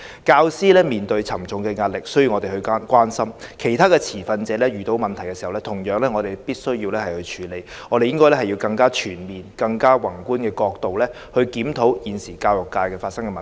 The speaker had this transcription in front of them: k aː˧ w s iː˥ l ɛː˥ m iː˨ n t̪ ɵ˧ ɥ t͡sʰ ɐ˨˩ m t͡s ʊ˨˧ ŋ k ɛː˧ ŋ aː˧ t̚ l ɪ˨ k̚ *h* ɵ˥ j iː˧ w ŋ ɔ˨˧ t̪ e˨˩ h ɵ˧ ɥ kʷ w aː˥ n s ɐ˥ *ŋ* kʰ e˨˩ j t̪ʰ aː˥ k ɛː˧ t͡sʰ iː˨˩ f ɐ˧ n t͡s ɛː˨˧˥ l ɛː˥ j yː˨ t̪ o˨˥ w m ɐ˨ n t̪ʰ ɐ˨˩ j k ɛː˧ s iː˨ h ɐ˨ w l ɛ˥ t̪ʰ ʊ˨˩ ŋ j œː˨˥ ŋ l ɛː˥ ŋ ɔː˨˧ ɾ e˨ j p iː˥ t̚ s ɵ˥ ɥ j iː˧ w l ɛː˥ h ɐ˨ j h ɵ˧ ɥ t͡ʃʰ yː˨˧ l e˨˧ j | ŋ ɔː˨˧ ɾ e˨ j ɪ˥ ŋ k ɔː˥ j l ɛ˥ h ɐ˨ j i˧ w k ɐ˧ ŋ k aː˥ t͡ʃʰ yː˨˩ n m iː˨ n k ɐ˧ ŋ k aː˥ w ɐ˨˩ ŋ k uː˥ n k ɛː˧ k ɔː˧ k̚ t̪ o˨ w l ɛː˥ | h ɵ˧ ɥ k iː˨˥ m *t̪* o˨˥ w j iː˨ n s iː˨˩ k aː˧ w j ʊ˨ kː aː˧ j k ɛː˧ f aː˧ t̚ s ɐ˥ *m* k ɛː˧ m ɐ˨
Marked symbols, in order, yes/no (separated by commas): no, no, no, no